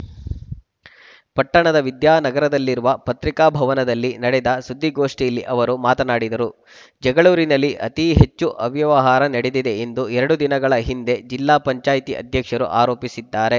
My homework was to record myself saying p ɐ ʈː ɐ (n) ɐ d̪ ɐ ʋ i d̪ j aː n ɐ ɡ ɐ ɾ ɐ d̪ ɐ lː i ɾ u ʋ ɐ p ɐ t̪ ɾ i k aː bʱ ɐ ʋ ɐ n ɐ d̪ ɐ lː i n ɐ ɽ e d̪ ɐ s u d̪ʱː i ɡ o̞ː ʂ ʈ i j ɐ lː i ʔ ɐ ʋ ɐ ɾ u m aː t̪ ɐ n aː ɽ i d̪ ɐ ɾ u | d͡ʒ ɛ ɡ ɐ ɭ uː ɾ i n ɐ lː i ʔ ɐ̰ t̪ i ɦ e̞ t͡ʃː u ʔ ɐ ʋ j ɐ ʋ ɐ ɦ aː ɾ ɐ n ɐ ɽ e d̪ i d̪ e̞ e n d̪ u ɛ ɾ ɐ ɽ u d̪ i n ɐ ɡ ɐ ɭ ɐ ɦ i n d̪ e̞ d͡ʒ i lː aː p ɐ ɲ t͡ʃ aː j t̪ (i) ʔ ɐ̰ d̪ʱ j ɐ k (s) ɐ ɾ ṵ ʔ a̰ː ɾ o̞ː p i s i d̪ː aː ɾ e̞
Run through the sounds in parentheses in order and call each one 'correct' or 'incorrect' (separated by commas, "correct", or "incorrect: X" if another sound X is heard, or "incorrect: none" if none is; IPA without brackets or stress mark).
incorrect: ɳ, correct, incorrect: ʂ